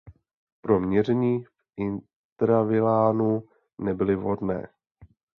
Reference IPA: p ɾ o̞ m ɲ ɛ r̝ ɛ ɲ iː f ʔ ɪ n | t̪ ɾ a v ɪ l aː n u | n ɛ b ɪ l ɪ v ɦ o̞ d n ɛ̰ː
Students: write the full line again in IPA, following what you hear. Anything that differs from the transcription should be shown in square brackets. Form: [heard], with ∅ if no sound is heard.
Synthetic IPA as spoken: p ɾ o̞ m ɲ ɛ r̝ ɛ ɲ iː f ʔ ɪ n | t̪ ɾ a v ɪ l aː n u | n ɛ b ɪ l ɪ v ɦ o̞ d n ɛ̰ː